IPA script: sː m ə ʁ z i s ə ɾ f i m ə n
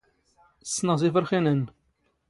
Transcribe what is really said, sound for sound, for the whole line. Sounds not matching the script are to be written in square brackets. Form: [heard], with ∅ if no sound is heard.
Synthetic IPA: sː [n] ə ʁ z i [f] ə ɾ [χ] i [n] ə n